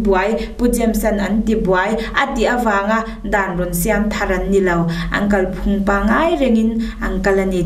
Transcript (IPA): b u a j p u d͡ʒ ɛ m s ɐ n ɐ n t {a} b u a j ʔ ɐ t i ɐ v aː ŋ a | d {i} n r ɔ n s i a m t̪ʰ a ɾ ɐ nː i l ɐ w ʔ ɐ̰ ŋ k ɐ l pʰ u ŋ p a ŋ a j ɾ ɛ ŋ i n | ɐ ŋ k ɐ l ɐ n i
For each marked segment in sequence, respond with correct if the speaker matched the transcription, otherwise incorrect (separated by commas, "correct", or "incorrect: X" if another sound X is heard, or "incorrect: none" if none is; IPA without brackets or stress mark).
incorrect: i, incorrect: a